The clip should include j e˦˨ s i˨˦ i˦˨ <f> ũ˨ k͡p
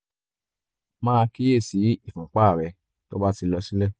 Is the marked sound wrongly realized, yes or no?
no